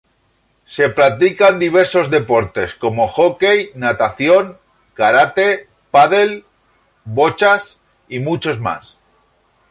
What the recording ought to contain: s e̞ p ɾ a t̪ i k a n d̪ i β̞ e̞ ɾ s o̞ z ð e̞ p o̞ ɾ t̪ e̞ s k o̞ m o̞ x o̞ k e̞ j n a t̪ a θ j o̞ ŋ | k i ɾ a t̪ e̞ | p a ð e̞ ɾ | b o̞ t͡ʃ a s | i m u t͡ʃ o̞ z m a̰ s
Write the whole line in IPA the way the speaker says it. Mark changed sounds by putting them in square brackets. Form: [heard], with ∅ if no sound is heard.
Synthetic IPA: s e̞ p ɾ a t̪ i k a n d̪ i β̞ e̞ ɾ s o̞ z ð e̞ p o̞ ɾ t̪ e̞ s k o̞ m o̞ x o̞ k e̞ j n a t̪ a θ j o̞ ŋ | k [a] ɾ a t̪ e̞ | p a ð e̞ [l] | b o̞ t͡ʃ a s | i m u t͡ʃ o̞ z m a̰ s